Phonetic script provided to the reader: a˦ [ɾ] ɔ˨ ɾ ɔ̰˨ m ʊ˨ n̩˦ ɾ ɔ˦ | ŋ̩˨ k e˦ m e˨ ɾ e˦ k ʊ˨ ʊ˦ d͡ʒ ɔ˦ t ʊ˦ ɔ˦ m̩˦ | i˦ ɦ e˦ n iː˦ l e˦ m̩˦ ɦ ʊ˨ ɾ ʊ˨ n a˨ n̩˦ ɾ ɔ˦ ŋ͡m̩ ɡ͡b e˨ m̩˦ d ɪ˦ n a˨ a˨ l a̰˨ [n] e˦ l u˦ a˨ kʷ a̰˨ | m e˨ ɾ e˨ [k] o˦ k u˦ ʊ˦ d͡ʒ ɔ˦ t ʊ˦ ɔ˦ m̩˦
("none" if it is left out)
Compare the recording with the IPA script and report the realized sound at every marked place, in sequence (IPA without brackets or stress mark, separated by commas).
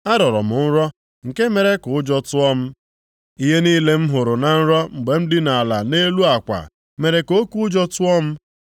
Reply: ɾ, n, k